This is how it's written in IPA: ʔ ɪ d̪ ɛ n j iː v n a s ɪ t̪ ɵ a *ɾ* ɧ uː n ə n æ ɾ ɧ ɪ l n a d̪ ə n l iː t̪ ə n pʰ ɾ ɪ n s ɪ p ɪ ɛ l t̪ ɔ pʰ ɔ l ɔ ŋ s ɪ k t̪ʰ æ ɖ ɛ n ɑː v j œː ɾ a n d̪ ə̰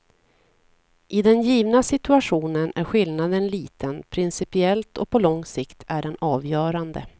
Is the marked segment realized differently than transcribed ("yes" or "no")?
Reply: yes